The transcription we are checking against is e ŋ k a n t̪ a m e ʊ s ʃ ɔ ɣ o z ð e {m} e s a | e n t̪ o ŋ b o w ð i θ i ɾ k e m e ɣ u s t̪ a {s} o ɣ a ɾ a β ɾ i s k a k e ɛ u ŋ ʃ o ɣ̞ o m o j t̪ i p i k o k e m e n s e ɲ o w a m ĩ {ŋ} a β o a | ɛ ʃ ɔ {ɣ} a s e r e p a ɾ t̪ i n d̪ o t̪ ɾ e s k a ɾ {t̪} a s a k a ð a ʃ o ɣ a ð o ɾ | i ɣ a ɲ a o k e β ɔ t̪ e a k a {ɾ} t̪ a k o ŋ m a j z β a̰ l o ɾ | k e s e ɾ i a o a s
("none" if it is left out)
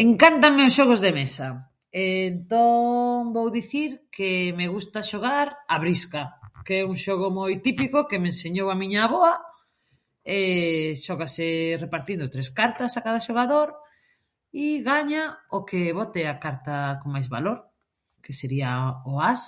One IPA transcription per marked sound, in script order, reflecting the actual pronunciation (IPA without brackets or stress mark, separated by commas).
m, ʃ, ɲ, ɣ, t̪, ɾ